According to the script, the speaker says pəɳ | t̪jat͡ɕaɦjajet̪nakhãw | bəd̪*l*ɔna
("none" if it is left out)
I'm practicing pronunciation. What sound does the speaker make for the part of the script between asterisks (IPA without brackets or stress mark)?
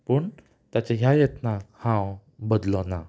l